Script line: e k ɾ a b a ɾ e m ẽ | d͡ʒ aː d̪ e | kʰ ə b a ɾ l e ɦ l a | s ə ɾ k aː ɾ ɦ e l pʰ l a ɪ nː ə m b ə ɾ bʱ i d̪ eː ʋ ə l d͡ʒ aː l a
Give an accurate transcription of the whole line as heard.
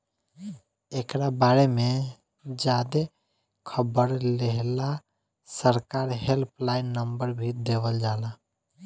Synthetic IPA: e k ɾ a b a ɾ e m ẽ | d͡ʒ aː d̪ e | kʰ ə b ə ɾ l e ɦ l a | s ə ɾ k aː ɾ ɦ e l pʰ l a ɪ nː ə m b ə ɾ bʱ i d̪ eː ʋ ə l d͡ʒ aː l a